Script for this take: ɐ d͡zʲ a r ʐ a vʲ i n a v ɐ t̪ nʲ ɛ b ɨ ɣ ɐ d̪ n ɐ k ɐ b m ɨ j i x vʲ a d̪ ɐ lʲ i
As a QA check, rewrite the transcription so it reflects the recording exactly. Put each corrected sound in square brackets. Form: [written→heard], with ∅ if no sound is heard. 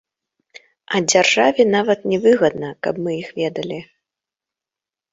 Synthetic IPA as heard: ɐ d͡zʲ a r ʐ a vʲ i n a v ɐ t̪ nʲ ɛ [b→v] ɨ ɣ ɐ d̪ n ɐ k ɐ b m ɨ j i x vʲ [a→ɛ] d̪ ɐ lʲ i